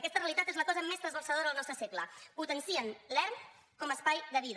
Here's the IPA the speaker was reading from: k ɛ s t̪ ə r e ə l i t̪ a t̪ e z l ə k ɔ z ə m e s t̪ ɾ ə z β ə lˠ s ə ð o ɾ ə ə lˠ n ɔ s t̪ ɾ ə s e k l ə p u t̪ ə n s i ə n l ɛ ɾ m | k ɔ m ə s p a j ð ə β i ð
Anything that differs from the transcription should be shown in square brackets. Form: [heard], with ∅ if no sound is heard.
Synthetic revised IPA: k ɛ s t̪ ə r e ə l i t̪ a t̪ e z l ə k ɔ z ə m e s t̪ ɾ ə z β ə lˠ s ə ð o ɾ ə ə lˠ n ɔ s t̪ ɾ ə s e k l ə p u t̪ ə n s i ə n l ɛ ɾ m | k ɔ m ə s p a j ð ə β i ð